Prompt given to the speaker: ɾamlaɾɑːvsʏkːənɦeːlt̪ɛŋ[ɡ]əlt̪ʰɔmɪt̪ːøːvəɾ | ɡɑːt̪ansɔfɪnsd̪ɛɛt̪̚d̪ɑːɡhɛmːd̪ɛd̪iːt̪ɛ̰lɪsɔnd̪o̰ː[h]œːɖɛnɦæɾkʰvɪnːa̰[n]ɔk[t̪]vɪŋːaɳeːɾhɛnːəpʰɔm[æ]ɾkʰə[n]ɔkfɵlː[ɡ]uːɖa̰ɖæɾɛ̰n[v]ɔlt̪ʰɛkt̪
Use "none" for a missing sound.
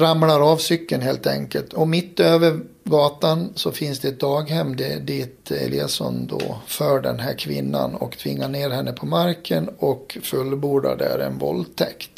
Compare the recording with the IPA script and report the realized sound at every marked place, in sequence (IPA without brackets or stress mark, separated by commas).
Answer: k, f, n, t̪ʰ, a, n, b, v